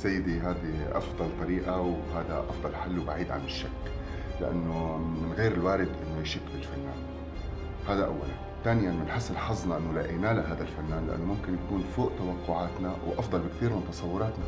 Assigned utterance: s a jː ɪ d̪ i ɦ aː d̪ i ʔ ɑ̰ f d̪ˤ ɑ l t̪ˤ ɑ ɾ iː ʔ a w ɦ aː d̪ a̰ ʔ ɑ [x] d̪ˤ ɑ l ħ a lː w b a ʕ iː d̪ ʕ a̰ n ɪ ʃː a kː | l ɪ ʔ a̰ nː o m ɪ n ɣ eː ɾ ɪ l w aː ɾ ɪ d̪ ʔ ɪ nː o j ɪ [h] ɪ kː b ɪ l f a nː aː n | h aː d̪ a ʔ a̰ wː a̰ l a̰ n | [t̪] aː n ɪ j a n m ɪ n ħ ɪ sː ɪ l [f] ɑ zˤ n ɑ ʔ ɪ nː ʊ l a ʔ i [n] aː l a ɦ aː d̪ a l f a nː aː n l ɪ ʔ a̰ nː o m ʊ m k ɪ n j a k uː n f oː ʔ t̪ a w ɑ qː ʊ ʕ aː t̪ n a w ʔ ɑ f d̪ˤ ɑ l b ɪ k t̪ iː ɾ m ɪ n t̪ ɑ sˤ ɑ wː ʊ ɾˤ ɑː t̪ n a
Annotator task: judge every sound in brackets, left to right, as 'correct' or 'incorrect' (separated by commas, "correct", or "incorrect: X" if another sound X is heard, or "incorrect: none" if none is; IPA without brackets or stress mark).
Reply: incorrect: f, incorrect: ʃ, correct, incorrect: ħ, correct